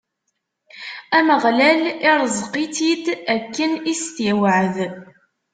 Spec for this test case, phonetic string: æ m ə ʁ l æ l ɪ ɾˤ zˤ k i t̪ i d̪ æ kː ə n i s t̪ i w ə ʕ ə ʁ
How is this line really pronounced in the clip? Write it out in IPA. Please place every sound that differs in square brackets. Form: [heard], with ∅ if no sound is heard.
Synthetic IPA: æ m ə ʁ l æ l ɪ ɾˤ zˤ [q] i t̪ i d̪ æ kː ə n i s t̪ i w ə ʕ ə [ð]